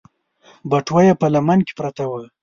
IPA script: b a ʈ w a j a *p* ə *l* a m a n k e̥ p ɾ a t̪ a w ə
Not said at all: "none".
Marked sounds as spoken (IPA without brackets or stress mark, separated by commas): p, l